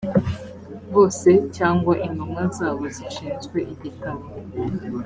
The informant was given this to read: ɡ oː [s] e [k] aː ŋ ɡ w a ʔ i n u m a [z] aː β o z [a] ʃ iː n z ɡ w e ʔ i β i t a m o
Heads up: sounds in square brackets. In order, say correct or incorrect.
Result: correct, incorrect: c, correct, incorrect: i

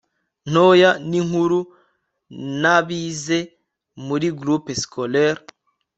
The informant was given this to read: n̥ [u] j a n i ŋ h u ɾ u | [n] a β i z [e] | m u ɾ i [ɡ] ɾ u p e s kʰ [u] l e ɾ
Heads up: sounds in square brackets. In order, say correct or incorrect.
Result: incorrect: o, correct, correct, correct, incorrect: o

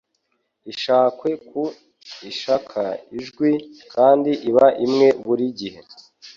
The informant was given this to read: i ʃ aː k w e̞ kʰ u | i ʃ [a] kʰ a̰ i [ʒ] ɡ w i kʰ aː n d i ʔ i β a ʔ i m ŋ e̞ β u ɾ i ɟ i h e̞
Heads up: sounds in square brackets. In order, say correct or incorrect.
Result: correct, correct

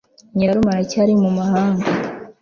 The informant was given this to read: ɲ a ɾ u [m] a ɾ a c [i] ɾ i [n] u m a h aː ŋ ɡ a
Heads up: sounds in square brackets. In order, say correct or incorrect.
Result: correct, incorrect: a, incorrect: m

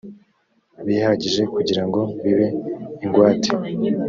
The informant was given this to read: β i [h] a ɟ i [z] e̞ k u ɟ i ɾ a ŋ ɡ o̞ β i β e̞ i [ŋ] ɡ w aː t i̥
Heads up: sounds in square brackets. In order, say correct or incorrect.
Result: correct, incorrect: ʒ, correct

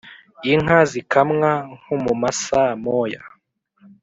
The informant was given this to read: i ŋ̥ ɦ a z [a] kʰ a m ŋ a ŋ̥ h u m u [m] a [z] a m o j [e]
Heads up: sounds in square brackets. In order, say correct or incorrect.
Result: incorrect: i, correct, incorrect: s, incorrect: a

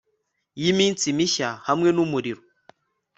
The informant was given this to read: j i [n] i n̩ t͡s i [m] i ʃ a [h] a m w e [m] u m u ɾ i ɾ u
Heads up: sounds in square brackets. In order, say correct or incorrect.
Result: incorrect: m, correct, correct, incorrect: n

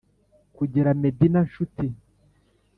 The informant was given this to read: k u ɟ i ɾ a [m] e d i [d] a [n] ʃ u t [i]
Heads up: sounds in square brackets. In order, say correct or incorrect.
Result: correct, incorrect: n, correct, correct

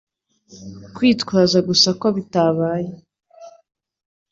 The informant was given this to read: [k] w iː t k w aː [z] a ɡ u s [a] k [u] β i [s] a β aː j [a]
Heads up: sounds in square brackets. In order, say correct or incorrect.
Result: correct, correct, correct, incorrect: o, incorrect: t, incorrect: e

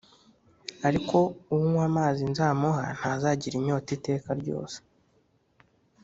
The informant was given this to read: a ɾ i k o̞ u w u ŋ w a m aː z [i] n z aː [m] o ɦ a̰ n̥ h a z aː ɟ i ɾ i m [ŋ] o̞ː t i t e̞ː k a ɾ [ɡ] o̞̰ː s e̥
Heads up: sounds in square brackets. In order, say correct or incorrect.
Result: correct, correct, incorrect: ɲ, incorrect: ɟ

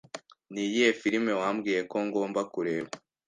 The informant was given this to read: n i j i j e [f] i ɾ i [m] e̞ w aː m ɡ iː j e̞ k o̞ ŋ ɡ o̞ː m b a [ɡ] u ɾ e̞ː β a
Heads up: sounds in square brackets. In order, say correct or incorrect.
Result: correct, correct, incorrect: k

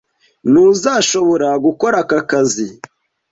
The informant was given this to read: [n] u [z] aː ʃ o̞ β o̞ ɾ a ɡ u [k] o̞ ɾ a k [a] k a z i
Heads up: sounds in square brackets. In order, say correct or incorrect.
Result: correct, correct, correct, correct

